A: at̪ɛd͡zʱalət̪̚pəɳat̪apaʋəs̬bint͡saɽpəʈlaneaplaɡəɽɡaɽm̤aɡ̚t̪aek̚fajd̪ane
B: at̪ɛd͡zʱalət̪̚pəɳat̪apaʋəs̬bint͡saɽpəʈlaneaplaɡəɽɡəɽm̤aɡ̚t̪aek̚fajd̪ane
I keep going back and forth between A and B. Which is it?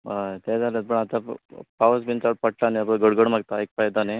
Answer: B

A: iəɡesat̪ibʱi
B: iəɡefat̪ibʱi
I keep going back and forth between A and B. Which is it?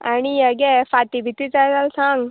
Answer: B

